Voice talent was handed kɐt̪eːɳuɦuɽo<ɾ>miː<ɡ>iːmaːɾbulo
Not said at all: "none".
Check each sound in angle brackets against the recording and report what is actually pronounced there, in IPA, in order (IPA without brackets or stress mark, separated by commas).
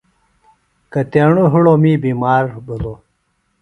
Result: none, b